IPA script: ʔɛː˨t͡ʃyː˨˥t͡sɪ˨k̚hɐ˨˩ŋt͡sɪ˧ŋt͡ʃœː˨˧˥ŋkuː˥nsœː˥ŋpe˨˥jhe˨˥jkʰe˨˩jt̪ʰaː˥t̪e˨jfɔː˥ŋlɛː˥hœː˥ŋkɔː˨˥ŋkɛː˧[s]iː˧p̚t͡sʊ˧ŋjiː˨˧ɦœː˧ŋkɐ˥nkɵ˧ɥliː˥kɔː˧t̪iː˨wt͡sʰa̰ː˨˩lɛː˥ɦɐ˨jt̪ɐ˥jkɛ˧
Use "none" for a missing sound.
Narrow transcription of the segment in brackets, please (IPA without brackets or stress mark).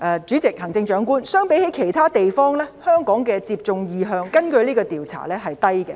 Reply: t͡s